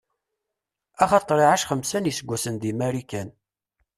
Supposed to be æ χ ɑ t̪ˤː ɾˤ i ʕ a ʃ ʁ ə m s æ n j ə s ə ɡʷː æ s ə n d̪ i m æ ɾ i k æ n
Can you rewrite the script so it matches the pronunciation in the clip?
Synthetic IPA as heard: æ χ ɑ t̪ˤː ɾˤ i ʕ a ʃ χ ə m s æ n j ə s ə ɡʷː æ s ə n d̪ i m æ ɾ i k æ n